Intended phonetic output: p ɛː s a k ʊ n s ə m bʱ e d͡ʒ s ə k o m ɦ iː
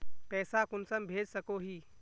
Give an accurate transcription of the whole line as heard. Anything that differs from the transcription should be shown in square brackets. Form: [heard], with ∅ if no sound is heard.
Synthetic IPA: p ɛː s a k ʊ n s ə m bʱ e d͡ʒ s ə k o [∅] ɦ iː